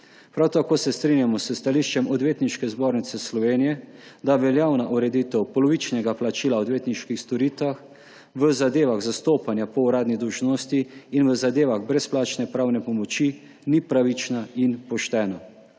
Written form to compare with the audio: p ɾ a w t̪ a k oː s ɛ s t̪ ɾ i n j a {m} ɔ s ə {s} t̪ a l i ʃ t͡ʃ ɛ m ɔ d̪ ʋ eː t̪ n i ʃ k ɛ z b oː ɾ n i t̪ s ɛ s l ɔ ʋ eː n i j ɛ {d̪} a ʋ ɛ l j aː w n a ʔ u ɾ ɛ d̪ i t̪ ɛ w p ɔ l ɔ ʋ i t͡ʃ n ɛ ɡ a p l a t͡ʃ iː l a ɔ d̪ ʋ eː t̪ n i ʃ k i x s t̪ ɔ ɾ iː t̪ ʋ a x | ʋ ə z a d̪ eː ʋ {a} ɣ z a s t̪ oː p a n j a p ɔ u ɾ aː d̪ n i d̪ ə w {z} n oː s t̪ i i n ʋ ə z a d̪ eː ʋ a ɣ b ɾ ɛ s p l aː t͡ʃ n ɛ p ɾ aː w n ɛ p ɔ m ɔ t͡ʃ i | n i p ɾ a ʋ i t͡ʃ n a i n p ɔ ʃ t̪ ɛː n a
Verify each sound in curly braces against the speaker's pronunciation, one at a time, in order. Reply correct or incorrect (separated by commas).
correct, correct, correct, correct, incorrect